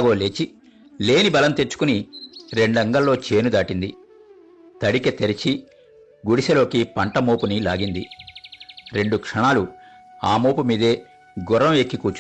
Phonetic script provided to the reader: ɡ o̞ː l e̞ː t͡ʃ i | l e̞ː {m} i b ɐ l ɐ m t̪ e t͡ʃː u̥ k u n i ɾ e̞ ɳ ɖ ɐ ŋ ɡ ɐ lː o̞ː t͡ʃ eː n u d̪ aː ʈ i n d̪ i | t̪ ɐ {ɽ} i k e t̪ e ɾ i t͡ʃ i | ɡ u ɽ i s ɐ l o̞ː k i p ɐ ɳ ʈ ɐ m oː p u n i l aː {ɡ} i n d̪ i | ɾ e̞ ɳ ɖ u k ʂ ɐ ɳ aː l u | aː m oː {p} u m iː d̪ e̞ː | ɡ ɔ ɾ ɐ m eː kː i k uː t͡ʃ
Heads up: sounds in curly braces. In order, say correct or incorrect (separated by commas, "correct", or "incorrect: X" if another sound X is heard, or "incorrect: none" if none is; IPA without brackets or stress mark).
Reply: incorrect: n, correct, correct, correct